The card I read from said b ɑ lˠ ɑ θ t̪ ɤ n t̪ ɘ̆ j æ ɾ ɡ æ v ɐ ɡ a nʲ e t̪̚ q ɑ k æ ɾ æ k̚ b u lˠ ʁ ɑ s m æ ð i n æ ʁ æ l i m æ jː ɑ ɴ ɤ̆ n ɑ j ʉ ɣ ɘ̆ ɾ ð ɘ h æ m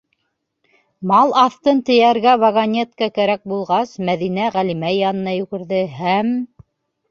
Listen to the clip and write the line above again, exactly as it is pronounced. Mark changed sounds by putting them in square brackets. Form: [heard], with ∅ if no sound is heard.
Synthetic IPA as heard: [m] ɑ lˠ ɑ θ t̪ ɤ n t̪ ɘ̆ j æ ɾ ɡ æ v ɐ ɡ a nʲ e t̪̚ [k] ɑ k æ ɾ æ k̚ b u lˠ ʁ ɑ s m æ ð i n æ ʁ æ l i m æ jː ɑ [n] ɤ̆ n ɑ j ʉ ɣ ɘ̆ ɾ ð ɘ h æ m